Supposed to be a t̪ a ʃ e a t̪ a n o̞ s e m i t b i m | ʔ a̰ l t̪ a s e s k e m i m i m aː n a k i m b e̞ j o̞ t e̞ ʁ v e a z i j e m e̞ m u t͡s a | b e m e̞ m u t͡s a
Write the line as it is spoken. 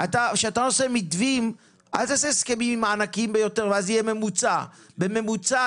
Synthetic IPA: a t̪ a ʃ e a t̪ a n o̞ s e m i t v i m | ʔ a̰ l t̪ a s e s k e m i m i m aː n a k i m b e̞ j o̞ t e̞ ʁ v e a z i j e m e̞ m u t͡s a | b e m e̞ m u t͡s a